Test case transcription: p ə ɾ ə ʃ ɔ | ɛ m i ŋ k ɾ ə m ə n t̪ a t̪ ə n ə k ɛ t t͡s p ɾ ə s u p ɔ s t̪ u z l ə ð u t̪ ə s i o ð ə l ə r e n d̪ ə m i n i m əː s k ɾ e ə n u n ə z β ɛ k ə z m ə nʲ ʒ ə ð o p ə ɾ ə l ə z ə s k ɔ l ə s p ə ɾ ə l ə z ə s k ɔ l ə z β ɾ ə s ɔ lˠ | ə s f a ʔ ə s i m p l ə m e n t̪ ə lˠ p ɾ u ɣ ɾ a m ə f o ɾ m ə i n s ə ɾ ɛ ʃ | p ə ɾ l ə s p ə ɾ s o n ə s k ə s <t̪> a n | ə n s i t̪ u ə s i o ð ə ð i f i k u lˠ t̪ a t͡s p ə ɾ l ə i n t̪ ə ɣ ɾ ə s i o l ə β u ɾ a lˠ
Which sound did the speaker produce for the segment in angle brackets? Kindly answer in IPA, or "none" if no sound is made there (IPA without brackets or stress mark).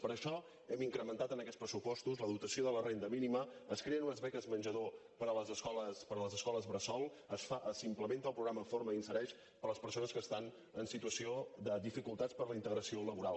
t̪